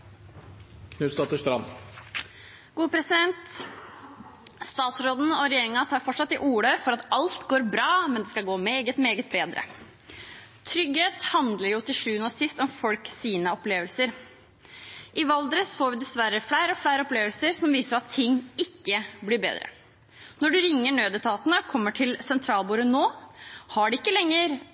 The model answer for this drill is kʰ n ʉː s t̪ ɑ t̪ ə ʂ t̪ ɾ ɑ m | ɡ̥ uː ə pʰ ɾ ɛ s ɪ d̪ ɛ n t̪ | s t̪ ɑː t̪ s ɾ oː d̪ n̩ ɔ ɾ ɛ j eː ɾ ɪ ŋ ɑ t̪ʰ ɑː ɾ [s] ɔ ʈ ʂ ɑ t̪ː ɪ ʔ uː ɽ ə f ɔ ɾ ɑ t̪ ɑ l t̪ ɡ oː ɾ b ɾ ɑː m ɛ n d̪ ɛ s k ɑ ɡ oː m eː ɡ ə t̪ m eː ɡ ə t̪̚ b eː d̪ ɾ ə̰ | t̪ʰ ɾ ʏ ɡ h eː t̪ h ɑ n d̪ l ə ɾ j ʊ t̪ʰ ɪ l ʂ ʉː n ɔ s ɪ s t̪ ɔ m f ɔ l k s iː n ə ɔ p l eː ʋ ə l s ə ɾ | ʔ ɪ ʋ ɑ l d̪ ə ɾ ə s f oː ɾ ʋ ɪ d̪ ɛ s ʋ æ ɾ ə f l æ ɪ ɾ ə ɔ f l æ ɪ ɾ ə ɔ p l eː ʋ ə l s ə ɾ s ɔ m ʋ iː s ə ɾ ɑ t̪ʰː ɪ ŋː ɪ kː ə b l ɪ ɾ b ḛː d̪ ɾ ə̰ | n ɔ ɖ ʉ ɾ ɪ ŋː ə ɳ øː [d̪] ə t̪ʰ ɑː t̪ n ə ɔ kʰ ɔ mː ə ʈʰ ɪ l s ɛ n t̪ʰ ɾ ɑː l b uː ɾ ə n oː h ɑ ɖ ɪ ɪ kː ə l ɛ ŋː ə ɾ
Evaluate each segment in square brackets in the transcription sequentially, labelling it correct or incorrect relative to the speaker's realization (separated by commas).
incorrect, correct